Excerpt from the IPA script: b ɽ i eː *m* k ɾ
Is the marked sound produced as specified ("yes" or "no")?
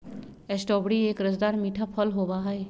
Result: no